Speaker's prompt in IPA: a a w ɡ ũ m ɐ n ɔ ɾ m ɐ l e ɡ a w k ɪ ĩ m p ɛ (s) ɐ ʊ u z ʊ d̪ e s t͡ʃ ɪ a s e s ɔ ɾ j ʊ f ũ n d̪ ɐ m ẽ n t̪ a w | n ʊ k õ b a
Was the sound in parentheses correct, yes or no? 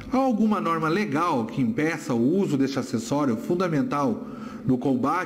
yes